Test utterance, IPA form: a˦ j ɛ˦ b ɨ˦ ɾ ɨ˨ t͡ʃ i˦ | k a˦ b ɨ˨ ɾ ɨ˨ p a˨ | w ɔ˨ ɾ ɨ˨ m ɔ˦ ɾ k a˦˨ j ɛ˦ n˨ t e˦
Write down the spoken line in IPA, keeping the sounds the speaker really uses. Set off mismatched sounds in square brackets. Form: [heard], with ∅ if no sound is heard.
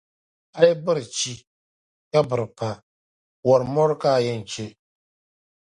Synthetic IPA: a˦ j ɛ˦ b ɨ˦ ɾ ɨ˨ t͡ʃ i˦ | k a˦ b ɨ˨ ɾ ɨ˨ p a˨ | w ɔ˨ ɾ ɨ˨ m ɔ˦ ɾ k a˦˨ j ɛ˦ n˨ [t͡ʃ] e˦